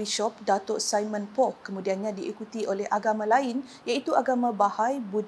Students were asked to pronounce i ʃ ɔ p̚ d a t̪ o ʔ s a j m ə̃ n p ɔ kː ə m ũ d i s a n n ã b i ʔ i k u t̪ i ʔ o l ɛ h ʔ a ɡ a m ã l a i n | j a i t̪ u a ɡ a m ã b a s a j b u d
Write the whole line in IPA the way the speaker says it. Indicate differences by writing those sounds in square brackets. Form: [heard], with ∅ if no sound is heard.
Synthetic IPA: i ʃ ɔ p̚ d a t̪ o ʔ s a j m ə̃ n p ɔ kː ə m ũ d i [∅] a n [ɲ] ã [d] i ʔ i k u t̪ i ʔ o l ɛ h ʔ a ɡ a m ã l a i n | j a i t̪ u a ɡ a m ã b a [h] a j b u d